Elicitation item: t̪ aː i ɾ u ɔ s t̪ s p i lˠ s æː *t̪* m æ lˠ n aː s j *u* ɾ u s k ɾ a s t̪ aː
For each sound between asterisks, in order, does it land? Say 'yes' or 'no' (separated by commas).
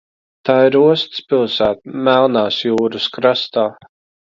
yes, no